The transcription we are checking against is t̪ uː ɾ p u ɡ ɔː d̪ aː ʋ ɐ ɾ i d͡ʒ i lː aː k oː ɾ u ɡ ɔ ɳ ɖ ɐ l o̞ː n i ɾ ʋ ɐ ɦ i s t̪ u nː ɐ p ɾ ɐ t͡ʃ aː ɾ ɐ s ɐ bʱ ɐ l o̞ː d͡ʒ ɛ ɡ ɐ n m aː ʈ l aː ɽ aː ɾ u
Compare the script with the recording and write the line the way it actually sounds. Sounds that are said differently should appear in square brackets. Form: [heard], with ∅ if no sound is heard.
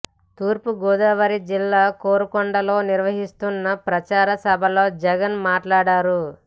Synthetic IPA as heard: t̪ uː ɾ p u ɡ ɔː d̪ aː ʋ ɐ ɾ i d͡ʒ i lː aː k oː ɾ u [k] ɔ ɳ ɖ ɐ l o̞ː n i ɾ ʋ ɐ ɦ i s t̪ u nː ɐ p ɾ ɐ t͡ʃ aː ɾ ɐ s ɐ bʱ ɐ l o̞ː d͡ʒ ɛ ɡ ɐ n m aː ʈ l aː ɽ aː ɾ u